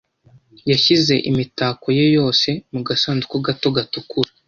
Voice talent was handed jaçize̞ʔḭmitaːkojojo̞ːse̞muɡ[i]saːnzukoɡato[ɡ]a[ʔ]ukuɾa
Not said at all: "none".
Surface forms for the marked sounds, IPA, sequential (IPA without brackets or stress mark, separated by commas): a, ɡ, t